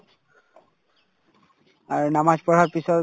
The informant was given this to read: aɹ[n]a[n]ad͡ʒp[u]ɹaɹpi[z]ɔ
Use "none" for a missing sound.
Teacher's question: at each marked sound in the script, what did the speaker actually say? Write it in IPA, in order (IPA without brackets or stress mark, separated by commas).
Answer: n, m, ɔ, s